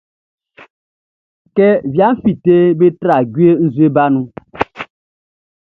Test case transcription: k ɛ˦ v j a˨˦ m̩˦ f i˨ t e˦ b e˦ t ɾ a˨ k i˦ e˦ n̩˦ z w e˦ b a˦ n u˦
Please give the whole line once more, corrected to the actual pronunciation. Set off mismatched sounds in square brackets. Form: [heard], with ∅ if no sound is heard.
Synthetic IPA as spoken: k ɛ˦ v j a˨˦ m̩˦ f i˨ t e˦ b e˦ t ɾ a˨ [ɡ] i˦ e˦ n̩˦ z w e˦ b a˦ n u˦